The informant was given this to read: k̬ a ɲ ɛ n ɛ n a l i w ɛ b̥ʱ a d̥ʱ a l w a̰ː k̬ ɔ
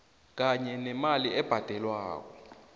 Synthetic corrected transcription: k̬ a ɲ ɛ n ɛ m a l i ɛ b̥ʱ a d̥ʱ ɛ l w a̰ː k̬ ɔ